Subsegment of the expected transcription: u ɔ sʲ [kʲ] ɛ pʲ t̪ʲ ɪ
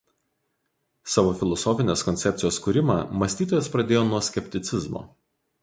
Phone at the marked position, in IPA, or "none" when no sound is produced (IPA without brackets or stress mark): kʲ